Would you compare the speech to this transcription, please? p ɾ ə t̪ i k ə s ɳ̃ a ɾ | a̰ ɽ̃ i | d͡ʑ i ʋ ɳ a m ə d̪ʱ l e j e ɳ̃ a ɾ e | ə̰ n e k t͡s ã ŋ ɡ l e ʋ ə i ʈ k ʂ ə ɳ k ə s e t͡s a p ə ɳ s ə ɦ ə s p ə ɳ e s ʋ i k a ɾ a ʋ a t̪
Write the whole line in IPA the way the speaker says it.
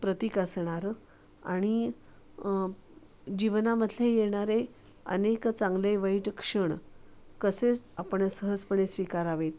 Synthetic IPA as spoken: p ɾ ə t̪ i k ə s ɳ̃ a ɾ | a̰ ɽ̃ i | d͡ʑ i ʋ n a m ə d̪ʱ l e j e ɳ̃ a ɾ e | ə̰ n e k t͡s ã ŋ ɡ l e ʋ ə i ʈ k ʂ ə ɳ k ə s e t͡s a p ə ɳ s ə ɦ ə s p ə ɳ e s ʋ i k a ɾ a ʋ e t̪